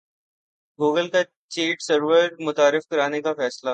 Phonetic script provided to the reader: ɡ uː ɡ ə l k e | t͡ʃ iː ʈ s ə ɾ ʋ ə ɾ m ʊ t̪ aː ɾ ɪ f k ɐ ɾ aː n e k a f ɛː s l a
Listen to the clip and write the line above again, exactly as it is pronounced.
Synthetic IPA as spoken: ɡ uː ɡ ə l k a | t͡ʃ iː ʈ s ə ɾ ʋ ə ɾ m ʊ t̪ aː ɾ ɪ f k ɐ ɾ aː n e k a f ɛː s l a